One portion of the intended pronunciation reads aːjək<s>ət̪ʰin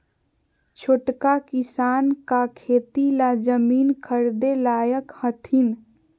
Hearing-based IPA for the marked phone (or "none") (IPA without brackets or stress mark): h